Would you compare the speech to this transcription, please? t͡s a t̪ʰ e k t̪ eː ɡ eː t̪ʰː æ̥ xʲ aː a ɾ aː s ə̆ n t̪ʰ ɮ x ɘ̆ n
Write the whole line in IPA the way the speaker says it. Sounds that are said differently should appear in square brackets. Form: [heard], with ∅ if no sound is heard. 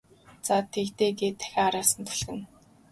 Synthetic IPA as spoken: t͡s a t̪ʰ e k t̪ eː ɡ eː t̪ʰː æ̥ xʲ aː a ɾ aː s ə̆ n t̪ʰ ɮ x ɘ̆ n